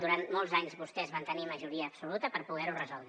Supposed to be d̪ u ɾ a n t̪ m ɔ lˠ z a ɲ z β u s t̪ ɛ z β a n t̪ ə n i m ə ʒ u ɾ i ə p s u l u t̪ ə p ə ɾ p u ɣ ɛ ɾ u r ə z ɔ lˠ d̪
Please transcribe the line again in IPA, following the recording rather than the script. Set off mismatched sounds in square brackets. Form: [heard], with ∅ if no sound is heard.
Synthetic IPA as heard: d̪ u ɾ a n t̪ m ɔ lˠ z a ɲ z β u s t̪ ɛ z β a n t̪ ə n i m ə ʒ u ɾ i [əː] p s u l u t̪ ə p ə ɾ p u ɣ ɛ ɾ u r ə z ɔ lˠ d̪